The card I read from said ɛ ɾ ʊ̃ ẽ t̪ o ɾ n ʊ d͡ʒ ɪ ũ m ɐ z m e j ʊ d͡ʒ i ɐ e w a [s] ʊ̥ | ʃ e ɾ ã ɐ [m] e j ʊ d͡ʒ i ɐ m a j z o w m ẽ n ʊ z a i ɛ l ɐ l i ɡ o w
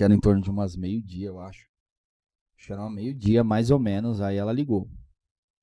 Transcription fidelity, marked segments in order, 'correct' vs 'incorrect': incorrect: ʃ, correct

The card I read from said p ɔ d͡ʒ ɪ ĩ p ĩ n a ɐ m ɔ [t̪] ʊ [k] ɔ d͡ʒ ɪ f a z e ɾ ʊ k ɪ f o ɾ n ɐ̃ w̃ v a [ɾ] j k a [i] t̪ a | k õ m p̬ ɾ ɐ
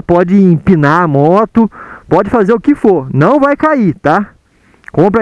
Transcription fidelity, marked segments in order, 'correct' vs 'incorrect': correct, incorrect: p, incorrect: none, correct

